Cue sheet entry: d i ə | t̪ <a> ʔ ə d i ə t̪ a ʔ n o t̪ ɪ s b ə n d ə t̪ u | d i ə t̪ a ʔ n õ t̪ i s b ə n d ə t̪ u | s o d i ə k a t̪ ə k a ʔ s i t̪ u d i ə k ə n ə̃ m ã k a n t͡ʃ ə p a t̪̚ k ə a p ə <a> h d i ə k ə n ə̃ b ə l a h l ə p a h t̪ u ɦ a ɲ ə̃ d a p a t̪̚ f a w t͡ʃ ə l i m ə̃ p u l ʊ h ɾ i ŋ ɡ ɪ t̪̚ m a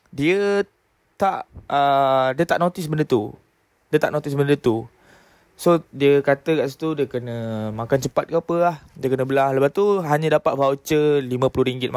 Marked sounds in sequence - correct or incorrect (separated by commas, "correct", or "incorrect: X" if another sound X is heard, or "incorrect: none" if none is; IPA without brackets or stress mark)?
correct, correct